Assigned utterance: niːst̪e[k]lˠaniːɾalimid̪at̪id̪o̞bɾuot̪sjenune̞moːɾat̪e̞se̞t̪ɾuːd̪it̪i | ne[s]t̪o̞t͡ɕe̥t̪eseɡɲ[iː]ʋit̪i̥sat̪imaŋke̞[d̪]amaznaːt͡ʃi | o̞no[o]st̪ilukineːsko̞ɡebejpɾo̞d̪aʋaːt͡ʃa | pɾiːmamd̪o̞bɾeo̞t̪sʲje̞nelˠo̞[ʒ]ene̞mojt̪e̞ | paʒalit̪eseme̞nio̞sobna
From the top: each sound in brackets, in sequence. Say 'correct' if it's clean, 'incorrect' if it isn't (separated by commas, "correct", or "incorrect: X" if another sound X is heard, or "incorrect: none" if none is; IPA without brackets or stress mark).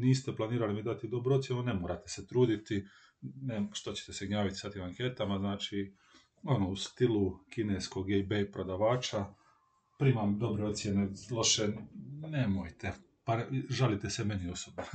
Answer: incorrect: p, incorrect: ʃ, incorrect: aː, incorrect: t̪, incorrect: u, incorrect: ʃ